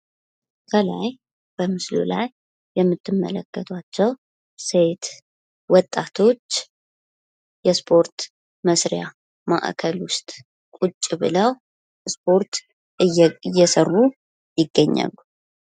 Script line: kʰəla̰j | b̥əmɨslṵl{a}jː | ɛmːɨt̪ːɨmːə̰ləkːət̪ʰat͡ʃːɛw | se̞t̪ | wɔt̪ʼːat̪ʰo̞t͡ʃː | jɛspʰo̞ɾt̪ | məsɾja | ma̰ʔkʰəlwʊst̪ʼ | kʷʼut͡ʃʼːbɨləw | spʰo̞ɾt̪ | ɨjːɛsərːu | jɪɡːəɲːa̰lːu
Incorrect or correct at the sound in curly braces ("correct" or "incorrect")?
correct